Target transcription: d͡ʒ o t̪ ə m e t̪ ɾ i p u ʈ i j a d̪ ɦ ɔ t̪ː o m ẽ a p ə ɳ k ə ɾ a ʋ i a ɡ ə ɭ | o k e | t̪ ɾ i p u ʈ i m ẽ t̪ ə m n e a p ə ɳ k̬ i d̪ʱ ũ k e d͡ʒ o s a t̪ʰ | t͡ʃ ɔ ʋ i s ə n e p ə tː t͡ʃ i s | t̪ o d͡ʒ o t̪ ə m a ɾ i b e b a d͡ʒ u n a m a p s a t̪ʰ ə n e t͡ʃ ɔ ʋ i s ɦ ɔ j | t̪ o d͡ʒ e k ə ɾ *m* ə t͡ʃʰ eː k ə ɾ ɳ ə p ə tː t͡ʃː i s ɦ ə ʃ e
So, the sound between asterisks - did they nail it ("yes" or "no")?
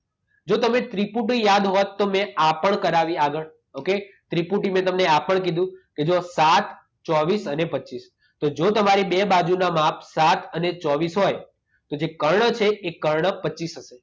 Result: no